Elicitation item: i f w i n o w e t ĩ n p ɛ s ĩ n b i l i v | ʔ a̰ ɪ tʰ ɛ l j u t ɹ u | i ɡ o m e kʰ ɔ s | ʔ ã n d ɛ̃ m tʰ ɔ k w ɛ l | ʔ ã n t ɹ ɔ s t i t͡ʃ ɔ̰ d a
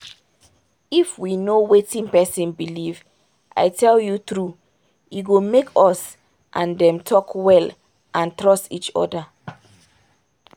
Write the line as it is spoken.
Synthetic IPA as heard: i f w i n o w e t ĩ n p ɛ s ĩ n b i l i v | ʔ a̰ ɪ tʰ ɛ l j u t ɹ u | i ɡ o m e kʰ ɔ s | ʔ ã n d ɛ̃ m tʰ ɔ k w ɛ l | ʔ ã n t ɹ ɔ s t i t͡ʃ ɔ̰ d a